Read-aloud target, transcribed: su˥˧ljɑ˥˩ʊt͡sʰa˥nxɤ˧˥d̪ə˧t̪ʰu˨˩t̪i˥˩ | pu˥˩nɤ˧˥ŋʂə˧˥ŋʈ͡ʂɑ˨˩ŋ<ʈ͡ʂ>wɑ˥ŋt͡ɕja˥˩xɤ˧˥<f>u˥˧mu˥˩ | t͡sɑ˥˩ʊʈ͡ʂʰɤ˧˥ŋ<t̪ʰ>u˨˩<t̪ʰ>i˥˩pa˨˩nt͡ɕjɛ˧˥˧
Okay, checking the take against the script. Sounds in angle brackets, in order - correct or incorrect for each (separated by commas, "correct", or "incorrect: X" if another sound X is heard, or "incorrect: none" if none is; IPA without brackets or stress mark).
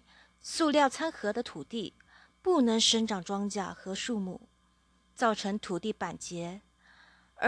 correct, incorrect: ʂ, correct, incorrect: t̪